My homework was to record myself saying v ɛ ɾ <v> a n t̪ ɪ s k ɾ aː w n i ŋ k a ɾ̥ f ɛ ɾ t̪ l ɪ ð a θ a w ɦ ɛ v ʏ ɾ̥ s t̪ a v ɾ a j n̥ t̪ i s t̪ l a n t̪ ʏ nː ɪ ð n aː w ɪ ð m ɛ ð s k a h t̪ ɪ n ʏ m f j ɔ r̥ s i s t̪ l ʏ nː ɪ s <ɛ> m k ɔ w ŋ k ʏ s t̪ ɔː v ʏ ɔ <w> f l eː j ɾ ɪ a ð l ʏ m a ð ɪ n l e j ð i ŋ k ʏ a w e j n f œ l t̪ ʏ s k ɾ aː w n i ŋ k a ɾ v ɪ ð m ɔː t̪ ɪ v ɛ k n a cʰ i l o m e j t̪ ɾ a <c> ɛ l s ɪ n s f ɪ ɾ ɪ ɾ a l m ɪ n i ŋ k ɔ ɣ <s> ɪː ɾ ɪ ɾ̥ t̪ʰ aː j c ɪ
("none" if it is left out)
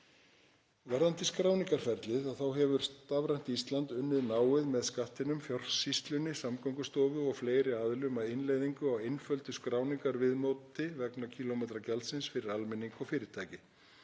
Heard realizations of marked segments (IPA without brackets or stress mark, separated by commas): ð, a, ɣ, c, f